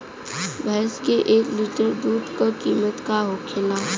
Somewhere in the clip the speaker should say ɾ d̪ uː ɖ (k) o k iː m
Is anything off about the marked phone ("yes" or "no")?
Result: no